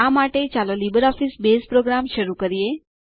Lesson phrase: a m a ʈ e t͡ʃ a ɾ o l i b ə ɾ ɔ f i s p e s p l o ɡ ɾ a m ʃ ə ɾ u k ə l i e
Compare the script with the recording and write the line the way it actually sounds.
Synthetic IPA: a m a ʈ e t͡ʃ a l o l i b ə ɾ ɔ f i s b e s p ɾ o ɡ ɾ a m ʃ ə ɾ u k ə ɾ i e